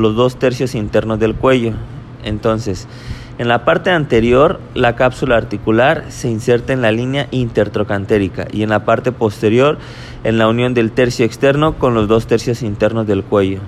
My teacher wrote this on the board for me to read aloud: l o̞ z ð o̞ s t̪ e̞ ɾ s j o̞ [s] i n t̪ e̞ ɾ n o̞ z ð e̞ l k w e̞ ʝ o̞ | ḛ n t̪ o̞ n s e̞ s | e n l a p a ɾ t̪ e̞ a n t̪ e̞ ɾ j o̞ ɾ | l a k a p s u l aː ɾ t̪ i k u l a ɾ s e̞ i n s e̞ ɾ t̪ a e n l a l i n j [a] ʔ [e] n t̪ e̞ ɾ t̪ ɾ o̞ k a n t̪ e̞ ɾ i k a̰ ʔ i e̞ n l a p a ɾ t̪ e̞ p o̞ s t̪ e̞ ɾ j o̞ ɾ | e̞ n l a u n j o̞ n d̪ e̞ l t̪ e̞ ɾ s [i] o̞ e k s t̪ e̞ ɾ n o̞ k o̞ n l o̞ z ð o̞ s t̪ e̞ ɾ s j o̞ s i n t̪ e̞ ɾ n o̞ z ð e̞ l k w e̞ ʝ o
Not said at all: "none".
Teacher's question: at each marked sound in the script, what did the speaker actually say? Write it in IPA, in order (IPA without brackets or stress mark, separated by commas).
s, a, i, j